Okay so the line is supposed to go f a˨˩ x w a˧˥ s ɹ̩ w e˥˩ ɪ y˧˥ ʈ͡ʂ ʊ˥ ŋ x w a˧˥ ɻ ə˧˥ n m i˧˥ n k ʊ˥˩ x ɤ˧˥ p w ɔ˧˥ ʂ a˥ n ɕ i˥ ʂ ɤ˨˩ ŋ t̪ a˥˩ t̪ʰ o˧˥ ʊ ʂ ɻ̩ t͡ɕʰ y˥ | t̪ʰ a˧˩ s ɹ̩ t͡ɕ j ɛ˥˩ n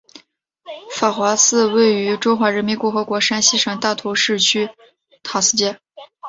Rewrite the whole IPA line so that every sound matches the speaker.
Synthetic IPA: f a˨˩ x w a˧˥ s ɹ̩ w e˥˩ ɪ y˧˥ ʈ͡ʂ ʊ˥ ŋ x w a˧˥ ɻ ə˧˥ n m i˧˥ n k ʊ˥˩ x ɤ˧˥ k w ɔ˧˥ ʂ a˥ n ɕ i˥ ʂ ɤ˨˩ ŋ t̪ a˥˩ t̪ʰ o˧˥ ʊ ʂ ɻ̩ t͡ɕʰ y˥ | t̪ʰ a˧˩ s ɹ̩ t͡ɕ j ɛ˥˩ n